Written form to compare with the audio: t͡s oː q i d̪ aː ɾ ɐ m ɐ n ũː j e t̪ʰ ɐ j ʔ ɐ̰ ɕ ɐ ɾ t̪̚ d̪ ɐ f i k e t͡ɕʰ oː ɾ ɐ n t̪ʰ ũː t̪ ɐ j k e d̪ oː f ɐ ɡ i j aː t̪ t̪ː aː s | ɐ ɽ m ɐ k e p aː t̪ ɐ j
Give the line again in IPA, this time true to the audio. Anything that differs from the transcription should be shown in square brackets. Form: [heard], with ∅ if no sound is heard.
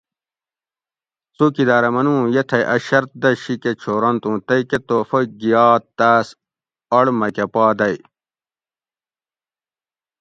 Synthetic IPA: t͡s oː [k] i d̪ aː ɾ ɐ m ɐ n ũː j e t̪ʰ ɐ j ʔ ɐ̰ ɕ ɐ ɾ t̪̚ d̪ ɐ [ɕ] i k e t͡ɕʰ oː ɾ ɐ n [t̪] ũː t̪ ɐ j k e [t̪] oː f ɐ ɡ i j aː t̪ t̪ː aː s | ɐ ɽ m ɐ k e p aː [d̪] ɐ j

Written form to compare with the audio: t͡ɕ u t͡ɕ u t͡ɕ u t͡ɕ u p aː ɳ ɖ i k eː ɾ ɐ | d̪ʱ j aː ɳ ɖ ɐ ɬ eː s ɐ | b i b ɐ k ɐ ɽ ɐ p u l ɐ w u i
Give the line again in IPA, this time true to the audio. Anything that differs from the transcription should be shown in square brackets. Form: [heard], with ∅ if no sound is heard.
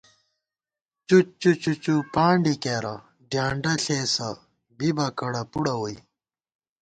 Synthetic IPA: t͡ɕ u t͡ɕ u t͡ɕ u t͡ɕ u p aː ɳ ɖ i k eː ɾ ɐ | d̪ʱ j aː ɳ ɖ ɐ ɬ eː s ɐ | b i b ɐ k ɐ ɽ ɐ p u [ɽ] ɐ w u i

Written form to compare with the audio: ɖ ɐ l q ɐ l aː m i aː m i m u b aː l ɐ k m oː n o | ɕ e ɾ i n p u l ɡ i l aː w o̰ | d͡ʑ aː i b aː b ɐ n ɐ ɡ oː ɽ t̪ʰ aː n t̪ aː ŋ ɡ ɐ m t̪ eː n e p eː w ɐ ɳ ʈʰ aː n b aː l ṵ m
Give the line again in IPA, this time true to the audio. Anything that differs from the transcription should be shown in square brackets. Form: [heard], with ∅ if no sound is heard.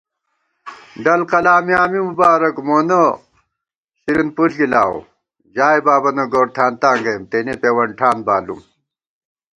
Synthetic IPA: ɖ ɐ l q ɐ l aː m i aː m i m u b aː [ɾ] ɐ k m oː n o | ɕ [i] ɾ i n p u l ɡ i l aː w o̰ | d͡ʑ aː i b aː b ɐ n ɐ ɡ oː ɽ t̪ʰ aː n t̪ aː ŋ ɡ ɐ m t̪ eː n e p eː w ɐ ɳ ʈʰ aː n b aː l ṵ m

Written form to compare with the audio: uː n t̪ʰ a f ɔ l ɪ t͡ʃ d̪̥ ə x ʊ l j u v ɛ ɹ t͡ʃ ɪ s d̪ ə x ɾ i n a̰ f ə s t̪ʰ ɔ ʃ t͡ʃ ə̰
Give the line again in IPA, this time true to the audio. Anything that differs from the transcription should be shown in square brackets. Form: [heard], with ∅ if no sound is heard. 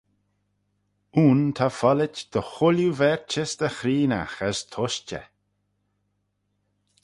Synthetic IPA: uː n t̪ʰ a f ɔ l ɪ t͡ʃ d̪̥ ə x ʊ l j u v ɛ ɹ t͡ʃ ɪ s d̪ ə x ɾ [iː] n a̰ [x] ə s t̪ʰ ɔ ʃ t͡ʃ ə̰

